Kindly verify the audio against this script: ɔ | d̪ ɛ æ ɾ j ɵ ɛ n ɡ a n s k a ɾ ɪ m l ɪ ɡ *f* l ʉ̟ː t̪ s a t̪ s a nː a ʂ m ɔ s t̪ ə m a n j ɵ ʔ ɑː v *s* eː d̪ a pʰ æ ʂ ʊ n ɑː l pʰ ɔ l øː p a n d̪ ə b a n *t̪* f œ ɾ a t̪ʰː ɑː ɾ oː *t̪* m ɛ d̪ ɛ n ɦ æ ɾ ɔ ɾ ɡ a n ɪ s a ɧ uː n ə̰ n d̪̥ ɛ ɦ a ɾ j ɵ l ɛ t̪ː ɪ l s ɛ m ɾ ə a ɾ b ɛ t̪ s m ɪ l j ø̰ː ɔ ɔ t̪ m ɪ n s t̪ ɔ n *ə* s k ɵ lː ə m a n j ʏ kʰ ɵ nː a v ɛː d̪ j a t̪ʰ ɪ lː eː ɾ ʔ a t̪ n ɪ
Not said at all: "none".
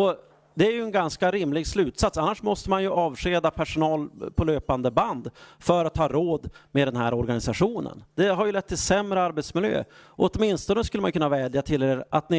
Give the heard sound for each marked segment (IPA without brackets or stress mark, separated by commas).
s, ʂ, d̪, d̪, ə